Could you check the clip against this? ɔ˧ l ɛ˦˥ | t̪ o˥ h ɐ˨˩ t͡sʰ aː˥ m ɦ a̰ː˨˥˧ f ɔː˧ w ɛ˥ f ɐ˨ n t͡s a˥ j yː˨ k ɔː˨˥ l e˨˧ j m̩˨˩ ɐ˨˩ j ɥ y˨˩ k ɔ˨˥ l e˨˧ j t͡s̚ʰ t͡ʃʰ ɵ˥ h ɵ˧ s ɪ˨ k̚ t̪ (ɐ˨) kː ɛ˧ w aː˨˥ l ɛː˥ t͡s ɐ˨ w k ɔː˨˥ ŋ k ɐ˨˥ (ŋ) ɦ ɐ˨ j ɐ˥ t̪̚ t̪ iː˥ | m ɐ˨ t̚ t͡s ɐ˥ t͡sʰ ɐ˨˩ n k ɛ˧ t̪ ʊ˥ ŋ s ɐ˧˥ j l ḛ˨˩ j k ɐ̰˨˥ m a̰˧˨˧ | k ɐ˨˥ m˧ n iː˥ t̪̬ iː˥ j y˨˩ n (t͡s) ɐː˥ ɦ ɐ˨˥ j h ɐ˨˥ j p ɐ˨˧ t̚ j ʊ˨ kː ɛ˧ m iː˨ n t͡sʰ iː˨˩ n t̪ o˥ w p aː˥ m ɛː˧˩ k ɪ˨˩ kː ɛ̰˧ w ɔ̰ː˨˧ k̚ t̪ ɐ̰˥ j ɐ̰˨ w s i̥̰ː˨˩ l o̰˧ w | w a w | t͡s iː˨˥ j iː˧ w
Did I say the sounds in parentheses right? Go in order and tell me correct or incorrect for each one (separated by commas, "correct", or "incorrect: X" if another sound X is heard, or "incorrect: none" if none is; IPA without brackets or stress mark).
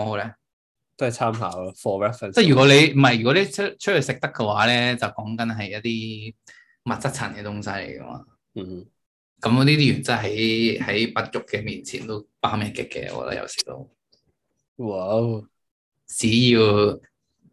incorrect: ɐ˥, incorrect: n, correct